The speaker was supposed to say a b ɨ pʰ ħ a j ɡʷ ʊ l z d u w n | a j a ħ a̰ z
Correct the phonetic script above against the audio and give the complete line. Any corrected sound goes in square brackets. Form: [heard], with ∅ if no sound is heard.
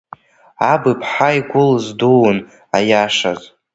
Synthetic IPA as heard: a b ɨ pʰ ħ a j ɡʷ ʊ l z d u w n | a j a [ʂ] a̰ z